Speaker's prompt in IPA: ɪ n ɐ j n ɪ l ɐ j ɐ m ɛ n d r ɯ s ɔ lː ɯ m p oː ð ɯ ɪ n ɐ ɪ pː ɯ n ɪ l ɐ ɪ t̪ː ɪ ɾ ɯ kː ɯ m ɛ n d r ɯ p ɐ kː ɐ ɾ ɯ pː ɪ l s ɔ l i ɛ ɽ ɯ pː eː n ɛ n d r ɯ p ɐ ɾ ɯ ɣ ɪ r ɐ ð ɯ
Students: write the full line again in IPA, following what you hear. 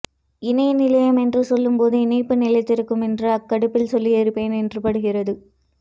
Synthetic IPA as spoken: ɪ n ɐ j n ɪ l ɐ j ɐ m ɛ n d r ɯ s ɔ lː ɯ m p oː ð ɯ ɪ n ɐ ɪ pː ɯ n ɪ l ɐ ɪ t̪ː ɪ ɾ ɯ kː ɯ m ɛ n d r ɯ ɐ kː ɐ ɽ ɯ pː ɪ l s ɔ lː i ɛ ɾ ɯ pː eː n ɛ n d r ɯ p ɐ ɽ ɯ ɣ ɪ r ɐ ð ɯ